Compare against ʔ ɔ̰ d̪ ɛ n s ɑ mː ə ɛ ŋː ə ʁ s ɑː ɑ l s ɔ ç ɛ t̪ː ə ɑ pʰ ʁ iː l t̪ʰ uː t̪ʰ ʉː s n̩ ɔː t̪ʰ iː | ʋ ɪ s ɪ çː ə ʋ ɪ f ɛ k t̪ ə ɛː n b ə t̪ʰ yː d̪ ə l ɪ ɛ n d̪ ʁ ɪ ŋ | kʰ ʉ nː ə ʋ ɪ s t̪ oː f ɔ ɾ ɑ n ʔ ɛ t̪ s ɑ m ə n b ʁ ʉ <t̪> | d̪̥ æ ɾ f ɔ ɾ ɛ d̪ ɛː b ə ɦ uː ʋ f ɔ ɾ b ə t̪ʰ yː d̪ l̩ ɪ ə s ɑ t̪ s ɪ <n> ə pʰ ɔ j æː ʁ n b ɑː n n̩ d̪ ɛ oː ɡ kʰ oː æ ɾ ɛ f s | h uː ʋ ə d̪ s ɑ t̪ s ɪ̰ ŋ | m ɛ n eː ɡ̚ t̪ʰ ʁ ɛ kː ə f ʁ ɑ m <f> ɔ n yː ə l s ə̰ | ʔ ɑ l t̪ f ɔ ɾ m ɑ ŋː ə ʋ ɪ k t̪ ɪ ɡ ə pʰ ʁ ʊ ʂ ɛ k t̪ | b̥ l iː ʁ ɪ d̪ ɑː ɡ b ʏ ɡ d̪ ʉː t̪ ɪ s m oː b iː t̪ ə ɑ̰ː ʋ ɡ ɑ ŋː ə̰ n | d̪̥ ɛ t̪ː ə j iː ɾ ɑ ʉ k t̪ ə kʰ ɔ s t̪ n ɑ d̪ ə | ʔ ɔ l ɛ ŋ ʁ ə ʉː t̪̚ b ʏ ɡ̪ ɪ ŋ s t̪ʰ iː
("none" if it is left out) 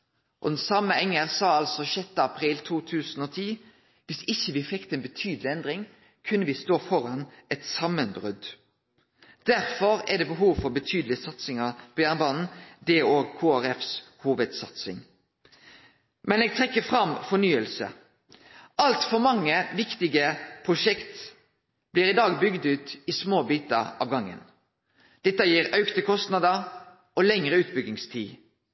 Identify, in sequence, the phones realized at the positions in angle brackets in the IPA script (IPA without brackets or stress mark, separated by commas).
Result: d̪, ŋ, f